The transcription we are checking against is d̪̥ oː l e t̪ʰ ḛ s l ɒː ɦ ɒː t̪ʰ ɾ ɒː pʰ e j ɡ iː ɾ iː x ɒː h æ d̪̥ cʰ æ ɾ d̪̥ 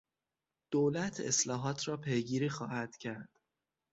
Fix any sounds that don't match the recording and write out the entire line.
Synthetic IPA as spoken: d̪̥ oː l æ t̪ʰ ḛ s l ɒː ɦ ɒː t̪ʰ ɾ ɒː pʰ e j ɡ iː ɾ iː x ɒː h æ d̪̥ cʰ æ ɾ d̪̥